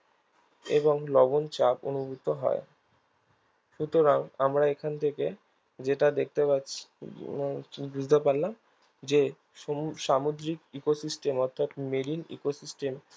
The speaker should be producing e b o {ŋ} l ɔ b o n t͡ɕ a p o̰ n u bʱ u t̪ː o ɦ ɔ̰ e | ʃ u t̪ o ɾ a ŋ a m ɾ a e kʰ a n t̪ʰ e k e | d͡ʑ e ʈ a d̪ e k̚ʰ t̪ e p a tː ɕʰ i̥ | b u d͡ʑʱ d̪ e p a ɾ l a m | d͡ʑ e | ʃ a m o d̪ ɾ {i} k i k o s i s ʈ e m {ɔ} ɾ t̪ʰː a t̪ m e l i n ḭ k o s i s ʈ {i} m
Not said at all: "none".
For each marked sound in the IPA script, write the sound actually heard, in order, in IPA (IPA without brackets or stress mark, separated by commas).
ŋ, i, ɔ, e